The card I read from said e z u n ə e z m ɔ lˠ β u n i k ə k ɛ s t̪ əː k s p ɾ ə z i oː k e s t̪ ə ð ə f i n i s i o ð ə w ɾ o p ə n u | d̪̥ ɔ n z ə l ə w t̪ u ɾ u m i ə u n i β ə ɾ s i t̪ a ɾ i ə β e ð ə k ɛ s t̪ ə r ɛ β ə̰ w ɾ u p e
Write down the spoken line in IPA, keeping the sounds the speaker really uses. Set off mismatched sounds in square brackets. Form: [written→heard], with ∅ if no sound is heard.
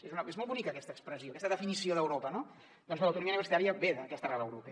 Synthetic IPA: e z u n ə e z m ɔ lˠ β u n i k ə k ɛ s t̪ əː k s p ɾ ə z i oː k [e→ɛ] s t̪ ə ð ə f i n i s i o ð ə w ɾ o p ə n [u→o] | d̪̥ ɔ n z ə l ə w t̪ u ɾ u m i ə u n i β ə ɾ s i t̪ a ɾ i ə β e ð ə k ɛ s t̪ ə r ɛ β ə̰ w ɾ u p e